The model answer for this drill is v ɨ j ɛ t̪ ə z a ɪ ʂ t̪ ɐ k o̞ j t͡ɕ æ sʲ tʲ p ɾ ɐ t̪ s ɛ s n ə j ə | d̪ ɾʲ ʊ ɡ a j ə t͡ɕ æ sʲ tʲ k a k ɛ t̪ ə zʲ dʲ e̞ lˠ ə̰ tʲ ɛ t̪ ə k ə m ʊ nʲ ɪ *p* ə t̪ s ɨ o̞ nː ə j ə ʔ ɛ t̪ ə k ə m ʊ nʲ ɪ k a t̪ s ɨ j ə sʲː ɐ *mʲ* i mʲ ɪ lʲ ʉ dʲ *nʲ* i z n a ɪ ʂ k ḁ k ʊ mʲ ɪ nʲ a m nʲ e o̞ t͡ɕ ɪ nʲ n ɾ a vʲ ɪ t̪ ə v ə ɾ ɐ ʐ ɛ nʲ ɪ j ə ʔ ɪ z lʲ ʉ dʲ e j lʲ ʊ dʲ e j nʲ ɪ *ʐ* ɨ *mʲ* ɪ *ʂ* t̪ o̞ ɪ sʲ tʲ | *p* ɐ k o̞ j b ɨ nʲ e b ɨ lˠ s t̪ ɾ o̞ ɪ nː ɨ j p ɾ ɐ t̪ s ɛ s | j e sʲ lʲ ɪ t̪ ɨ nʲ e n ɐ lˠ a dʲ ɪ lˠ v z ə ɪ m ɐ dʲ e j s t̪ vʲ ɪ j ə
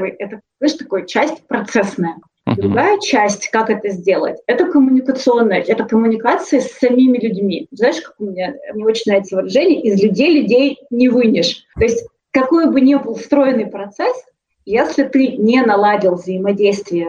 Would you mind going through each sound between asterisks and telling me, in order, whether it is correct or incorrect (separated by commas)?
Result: incorrect, correct, incorrect, incorrect, incorrect, correct, incorrect